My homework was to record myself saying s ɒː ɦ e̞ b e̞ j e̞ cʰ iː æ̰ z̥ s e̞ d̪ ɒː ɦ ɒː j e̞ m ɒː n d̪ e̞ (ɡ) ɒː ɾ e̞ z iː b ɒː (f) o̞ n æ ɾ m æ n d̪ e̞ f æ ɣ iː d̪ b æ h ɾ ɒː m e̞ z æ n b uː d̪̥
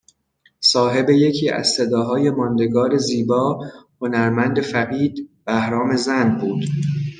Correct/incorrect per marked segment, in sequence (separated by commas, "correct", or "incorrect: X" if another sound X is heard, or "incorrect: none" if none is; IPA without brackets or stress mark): correct, incorrect: h